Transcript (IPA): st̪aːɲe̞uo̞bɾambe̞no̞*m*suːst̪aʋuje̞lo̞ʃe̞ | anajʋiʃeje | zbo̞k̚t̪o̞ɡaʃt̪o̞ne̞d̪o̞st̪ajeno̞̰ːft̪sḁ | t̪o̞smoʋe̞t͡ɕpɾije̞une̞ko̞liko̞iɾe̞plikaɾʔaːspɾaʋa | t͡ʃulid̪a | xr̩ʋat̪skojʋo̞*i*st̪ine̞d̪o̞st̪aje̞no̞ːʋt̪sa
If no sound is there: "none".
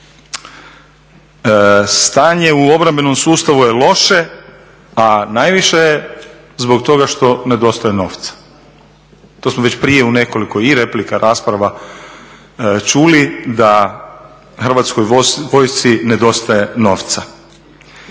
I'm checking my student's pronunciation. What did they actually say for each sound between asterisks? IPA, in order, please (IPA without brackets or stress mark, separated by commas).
m, j